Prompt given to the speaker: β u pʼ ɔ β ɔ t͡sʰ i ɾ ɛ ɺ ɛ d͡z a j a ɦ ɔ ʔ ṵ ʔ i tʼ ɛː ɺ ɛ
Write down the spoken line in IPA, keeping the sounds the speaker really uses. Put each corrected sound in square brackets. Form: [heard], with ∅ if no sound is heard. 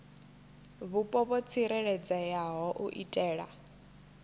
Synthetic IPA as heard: β u pʼ ɔ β ɔ t͡sʰ i ɾ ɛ ɺ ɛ d͡z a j a ɦ ɔ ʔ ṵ ʔ i tʼ ɛː ɺ [a]

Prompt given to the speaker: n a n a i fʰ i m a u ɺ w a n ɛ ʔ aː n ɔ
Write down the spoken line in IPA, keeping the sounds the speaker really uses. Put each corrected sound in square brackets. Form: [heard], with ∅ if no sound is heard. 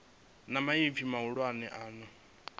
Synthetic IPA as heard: n a [m] a i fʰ i m a u ɺ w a n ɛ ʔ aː n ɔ

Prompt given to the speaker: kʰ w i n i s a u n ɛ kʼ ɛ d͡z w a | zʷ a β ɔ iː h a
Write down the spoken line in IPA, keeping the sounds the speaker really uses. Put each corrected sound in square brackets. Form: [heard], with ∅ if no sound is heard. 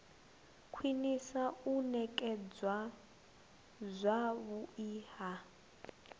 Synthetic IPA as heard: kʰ w i n i s a u n ɛ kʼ ɛ d͡z w a | zʷ a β [u] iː h a

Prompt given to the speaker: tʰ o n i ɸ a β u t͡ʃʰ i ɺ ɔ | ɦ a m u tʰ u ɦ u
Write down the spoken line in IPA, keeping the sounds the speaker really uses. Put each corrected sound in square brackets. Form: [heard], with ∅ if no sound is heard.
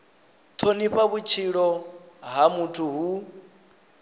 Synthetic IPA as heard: tʰ o n i ɸ a β u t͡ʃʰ i ɺ ɔ | ɦ a m u tʰ u ɦ u

